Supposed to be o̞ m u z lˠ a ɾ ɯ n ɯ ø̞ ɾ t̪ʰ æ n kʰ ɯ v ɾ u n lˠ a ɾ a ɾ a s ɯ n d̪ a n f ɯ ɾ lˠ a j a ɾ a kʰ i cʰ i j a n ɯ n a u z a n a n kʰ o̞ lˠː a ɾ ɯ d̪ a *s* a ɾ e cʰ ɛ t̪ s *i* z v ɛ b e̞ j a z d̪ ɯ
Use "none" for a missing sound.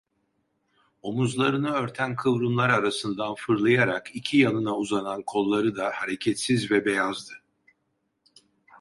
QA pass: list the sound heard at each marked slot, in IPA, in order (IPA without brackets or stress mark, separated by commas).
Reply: h, i